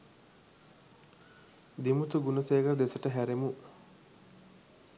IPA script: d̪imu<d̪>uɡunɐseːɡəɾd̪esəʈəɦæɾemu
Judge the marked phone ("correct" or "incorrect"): incorrect